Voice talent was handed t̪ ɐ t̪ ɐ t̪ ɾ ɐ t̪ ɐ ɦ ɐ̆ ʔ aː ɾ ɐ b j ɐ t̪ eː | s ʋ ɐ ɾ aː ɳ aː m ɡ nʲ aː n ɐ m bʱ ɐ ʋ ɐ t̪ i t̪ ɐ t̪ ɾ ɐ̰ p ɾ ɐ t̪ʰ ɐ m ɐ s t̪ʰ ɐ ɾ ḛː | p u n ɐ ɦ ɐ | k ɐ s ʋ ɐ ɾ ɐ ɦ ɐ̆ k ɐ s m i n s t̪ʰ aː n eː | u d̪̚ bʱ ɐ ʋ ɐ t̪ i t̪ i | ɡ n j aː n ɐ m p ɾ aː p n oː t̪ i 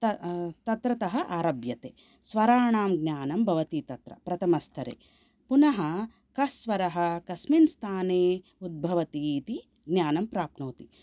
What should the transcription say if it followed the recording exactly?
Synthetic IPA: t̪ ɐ t̪ ɐ t̪ ɾ ɐ t̪ ɐ ɦ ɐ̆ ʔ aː ɾ ɐ b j ɐ t̪ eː | s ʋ ɐ ɾ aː ɳ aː m ɡ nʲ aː n ɐ m bʱ ɐ ʋ ɐ t̪ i t̪ ɐ t̪ ɾ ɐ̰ p ɾ ɐ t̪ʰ ɐ m ɐ s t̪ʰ ɐ ɾ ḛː | p u n ɐ ɦ ɐ | k ɐ s ʋ ɐ ɾ ɐ ɦ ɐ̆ k ɐ s m i n s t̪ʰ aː n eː | u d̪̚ bʱ ɐ ʋ ɐ t̪ i t̪ i | ɡ n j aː n ɐ m p ɾ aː p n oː t̪ i